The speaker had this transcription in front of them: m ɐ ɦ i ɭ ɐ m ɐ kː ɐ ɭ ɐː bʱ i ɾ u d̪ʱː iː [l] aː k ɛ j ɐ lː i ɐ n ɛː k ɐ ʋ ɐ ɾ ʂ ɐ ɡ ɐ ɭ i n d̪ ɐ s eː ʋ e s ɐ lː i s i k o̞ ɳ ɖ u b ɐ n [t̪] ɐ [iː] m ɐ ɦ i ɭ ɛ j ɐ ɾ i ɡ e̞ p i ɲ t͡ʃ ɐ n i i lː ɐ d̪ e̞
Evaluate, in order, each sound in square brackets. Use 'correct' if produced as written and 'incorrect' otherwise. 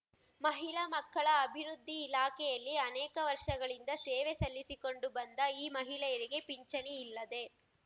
correct, incorrect: d̪, correct

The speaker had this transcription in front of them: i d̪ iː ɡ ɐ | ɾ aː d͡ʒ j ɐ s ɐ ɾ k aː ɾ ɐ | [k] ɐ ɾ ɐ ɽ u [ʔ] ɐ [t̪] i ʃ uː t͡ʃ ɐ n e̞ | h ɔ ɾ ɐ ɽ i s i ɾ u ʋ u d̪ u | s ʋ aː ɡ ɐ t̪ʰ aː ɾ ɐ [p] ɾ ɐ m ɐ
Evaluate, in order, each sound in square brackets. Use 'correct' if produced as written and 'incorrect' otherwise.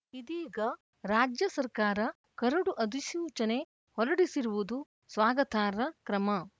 correct, correct, incorrect: d̪, incorrect: k

